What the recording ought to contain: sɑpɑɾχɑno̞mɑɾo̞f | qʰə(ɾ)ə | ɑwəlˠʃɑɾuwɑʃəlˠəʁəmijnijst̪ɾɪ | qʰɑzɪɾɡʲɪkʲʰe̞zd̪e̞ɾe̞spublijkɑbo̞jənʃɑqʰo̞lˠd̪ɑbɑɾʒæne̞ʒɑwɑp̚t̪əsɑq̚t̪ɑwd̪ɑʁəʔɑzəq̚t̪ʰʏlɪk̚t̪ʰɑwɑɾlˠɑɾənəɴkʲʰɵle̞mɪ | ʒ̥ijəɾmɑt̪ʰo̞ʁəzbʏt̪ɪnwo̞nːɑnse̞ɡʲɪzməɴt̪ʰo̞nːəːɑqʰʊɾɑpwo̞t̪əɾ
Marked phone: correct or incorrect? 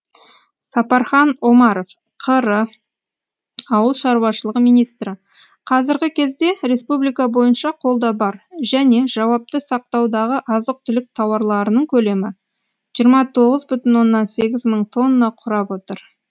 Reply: correct